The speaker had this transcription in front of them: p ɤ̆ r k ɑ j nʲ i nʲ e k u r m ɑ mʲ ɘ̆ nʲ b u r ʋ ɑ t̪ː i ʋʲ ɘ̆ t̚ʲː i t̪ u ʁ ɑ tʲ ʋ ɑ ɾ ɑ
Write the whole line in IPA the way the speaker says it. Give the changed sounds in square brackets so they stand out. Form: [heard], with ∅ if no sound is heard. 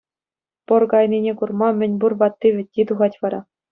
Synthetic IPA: p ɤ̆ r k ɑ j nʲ i nʲ e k u r m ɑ mʲ ɘ̆ nʲ b u r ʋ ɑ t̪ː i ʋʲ ɘ̆ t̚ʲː i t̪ u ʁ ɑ tʲ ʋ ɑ ɾ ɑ